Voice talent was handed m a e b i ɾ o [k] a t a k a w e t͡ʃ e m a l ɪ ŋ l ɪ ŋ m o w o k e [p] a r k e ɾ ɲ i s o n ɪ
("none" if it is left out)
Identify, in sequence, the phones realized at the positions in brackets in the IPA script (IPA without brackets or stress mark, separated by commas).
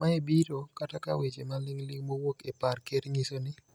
k, p